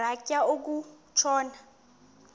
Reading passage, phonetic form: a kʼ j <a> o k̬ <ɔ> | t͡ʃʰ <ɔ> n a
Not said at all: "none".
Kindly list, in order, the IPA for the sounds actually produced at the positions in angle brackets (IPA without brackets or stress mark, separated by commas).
a, u, ɔː